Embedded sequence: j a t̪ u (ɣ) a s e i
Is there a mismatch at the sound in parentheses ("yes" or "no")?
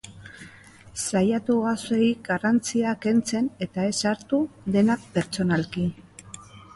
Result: no